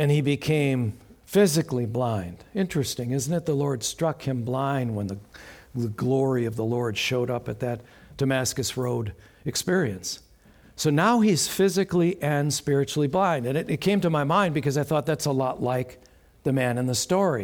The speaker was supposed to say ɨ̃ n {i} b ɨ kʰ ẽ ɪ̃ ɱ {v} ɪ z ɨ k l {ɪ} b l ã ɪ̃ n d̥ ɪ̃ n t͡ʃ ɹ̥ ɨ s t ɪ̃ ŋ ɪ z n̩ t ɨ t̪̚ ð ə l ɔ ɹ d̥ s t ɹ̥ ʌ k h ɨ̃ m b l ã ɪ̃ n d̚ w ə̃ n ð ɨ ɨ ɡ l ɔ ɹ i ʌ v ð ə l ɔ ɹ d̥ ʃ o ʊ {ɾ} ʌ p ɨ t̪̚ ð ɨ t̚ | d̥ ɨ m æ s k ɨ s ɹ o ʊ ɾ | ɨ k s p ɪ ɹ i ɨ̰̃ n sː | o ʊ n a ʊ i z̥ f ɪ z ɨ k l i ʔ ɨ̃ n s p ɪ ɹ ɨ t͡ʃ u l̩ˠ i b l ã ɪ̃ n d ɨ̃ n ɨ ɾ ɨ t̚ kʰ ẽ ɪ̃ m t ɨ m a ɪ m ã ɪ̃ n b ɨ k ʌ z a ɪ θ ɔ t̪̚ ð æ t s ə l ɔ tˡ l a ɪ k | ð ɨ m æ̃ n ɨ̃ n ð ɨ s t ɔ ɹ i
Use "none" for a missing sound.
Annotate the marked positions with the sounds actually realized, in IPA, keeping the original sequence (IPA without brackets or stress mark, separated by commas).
i, f, i, ɾ